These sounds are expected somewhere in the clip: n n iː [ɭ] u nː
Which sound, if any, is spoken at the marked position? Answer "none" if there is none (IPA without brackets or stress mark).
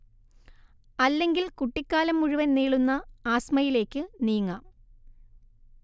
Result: ɭ